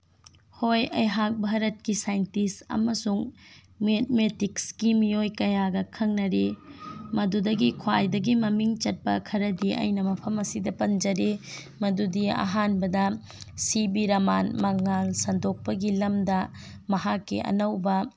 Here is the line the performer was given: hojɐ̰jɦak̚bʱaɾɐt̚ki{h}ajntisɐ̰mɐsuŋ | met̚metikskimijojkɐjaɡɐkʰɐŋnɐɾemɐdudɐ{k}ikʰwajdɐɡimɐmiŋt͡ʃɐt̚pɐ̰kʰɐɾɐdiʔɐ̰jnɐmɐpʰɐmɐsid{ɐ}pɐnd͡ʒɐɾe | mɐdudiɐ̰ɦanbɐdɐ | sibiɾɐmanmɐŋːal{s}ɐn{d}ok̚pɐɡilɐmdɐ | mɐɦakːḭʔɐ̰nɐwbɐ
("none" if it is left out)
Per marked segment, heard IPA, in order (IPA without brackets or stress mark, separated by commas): s, ɡ, ɐ, s, d